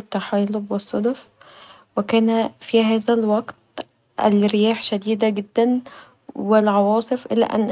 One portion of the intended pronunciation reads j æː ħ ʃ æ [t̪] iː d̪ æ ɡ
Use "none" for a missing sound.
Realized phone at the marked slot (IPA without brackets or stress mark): d̪